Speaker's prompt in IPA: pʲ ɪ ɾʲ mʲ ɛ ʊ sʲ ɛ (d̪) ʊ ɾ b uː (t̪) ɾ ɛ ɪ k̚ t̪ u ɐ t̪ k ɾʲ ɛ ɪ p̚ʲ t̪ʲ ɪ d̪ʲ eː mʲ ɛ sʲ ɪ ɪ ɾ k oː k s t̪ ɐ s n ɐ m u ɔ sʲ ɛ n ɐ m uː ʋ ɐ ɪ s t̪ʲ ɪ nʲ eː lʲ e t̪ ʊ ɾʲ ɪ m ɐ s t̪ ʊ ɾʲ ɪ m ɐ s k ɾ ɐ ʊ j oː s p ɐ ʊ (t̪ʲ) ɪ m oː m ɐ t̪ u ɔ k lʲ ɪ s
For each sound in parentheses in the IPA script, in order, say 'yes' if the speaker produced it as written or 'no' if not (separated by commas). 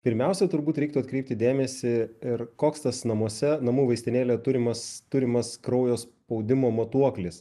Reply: no, yes, no